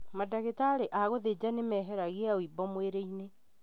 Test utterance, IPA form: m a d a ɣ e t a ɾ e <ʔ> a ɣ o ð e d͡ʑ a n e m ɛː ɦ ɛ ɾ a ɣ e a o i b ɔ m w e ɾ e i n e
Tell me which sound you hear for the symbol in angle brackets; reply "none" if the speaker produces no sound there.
ʔ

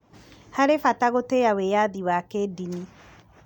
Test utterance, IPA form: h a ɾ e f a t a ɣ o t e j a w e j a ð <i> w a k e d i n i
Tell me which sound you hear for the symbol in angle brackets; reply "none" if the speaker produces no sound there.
i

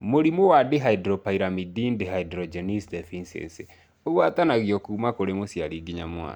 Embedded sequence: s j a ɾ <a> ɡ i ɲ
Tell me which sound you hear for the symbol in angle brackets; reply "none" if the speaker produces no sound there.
i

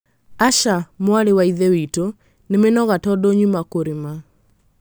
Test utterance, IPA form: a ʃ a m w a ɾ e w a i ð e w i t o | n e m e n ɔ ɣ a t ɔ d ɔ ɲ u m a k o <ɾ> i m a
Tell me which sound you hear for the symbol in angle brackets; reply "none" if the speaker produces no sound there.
ɾ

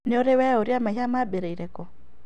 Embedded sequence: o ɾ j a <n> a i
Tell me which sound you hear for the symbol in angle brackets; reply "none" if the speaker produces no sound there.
m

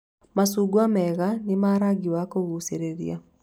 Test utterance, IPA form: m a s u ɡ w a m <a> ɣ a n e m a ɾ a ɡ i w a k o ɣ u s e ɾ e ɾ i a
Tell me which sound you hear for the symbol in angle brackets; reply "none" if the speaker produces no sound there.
ɛ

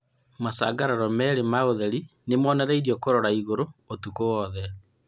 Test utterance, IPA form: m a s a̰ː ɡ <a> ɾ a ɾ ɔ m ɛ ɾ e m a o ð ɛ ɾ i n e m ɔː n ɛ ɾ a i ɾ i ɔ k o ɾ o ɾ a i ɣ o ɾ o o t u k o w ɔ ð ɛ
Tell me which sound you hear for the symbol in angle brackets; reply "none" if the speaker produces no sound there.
a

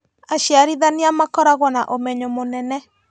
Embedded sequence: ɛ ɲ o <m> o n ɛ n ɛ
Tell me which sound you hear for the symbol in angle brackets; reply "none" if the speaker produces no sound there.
m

